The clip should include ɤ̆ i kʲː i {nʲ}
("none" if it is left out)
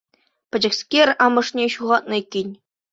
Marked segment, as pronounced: nʲ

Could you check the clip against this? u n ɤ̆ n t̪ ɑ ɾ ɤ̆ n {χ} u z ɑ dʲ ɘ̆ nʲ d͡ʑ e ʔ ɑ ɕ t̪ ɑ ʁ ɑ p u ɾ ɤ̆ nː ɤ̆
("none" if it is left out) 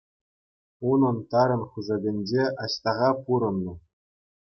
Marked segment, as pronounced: χ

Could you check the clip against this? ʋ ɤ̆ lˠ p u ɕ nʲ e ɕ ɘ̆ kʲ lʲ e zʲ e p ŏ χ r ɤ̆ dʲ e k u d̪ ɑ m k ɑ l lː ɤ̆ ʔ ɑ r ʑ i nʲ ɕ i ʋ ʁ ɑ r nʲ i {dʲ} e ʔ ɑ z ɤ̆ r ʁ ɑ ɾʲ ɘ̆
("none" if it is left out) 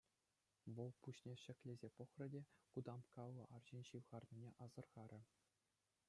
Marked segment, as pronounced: nʲ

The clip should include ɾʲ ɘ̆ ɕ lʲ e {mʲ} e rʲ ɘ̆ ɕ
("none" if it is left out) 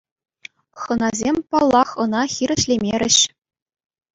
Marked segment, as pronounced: mʲ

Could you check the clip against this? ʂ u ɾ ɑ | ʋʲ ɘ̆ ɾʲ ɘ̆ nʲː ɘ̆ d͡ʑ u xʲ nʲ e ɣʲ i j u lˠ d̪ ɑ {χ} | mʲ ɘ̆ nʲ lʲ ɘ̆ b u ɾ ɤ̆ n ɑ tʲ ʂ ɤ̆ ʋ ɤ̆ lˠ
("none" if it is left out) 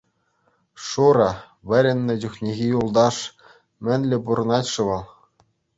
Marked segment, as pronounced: ʂ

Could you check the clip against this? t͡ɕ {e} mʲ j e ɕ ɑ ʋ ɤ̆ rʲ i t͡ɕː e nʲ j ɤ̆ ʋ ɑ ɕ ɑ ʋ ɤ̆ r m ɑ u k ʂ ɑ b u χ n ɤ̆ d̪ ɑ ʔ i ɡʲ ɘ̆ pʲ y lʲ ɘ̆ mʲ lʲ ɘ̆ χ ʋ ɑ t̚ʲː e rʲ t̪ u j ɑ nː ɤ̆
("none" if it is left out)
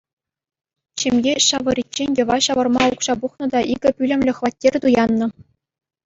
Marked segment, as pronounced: e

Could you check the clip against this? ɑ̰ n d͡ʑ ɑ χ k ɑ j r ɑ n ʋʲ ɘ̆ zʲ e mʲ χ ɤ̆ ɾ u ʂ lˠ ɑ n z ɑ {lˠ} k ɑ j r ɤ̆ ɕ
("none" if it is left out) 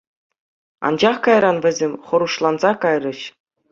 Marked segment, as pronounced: none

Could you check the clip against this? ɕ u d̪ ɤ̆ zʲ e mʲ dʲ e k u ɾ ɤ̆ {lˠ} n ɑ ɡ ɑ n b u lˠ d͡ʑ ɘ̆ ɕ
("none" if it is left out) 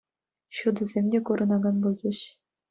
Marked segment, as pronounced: none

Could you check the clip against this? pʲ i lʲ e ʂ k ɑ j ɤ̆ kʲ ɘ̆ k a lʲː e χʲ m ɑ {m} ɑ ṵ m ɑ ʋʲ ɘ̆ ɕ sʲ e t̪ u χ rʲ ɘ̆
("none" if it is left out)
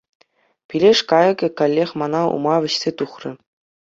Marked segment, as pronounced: n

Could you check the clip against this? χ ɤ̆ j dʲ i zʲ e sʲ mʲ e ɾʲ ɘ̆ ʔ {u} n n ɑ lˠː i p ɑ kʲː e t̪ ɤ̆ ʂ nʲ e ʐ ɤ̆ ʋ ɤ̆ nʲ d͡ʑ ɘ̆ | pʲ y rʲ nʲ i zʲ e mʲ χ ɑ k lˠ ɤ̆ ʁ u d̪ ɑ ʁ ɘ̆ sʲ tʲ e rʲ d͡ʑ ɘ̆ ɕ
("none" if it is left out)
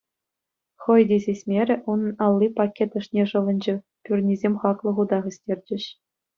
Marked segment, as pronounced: u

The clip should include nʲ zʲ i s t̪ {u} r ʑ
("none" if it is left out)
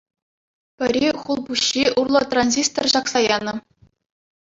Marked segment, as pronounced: o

